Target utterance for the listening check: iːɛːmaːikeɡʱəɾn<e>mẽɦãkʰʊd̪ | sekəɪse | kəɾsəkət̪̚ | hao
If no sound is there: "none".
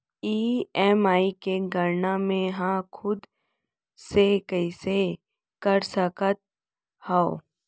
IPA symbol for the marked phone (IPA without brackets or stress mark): a